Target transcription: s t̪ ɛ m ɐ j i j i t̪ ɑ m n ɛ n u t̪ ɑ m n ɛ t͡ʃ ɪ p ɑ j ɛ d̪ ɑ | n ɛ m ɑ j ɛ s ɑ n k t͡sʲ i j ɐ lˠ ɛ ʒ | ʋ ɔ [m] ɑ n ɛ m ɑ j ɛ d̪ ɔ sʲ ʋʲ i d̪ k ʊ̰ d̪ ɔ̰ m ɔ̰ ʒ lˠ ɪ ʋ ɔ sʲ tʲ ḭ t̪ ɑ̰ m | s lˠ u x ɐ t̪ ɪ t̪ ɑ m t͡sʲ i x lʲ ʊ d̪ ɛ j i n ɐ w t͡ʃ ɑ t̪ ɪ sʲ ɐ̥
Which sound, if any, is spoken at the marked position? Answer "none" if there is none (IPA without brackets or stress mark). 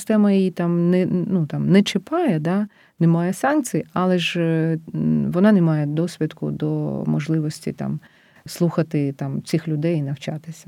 n